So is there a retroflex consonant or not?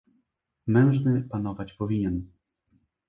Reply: yes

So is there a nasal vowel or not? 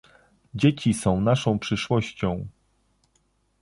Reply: yes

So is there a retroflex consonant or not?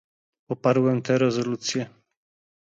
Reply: no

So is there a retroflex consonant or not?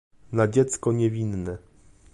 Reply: no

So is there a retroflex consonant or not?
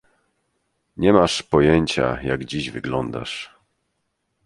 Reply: yes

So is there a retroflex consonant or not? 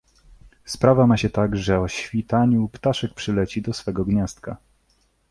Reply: yes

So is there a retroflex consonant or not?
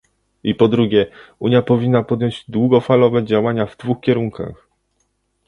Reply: no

